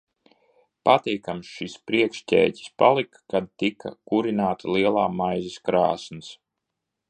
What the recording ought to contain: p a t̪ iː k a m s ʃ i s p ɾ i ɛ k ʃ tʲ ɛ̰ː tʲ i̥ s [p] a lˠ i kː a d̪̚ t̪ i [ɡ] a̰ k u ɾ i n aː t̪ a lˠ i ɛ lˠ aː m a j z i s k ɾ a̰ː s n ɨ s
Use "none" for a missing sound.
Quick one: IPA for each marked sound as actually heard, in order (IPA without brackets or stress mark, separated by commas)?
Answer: p, k